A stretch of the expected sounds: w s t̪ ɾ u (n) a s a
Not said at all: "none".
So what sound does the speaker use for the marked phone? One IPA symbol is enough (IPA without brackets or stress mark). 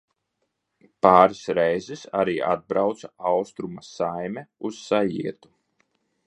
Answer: m